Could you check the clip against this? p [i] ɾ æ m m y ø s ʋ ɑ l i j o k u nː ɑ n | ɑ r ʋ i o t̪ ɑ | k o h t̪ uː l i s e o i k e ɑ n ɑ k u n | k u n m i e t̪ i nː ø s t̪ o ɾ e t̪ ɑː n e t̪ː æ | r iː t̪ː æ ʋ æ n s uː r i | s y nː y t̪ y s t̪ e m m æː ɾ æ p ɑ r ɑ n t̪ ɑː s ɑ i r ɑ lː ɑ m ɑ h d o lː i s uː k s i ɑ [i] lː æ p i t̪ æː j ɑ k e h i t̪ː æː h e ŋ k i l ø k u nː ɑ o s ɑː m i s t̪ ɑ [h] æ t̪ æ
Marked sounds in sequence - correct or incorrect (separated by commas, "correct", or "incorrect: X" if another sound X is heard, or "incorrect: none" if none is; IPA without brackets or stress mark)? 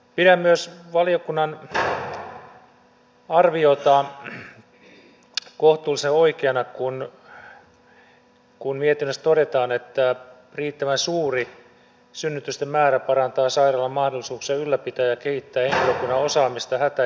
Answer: correct, incorrect: y, correct